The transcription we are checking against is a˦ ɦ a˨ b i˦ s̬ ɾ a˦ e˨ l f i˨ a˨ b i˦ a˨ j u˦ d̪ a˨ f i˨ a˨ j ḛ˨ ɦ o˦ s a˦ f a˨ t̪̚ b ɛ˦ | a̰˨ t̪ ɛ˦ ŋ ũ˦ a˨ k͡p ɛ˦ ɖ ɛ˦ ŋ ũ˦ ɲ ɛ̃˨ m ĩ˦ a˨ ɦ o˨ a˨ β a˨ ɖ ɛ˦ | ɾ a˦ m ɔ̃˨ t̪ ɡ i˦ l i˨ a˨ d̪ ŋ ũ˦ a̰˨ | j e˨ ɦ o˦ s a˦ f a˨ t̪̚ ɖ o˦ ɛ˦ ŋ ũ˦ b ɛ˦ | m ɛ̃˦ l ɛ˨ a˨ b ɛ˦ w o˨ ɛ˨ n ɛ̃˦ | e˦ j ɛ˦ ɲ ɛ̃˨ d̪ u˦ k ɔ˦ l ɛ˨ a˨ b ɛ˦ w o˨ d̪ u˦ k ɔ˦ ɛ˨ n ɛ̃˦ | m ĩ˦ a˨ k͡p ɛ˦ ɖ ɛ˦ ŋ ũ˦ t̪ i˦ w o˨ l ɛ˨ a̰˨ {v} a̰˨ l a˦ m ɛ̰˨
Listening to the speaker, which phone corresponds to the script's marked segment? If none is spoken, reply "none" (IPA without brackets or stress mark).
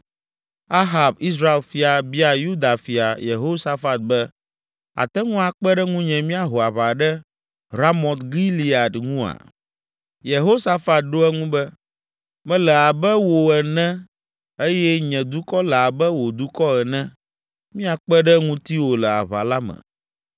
β